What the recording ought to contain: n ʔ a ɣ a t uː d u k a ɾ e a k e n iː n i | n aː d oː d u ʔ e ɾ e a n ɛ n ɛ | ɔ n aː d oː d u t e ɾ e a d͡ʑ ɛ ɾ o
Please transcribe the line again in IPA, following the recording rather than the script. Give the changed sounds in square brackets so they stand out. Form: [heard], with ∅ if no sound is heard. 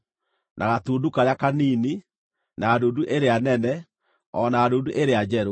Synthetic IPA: n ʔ a ɣ a t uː d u k a ɾ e a k [a] n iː n i | n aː d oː d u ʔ e ɾ e a n ɛ n ɛ | ɔ n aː d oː d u [ʔ] e ɾ e a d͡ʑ ɛ ɾ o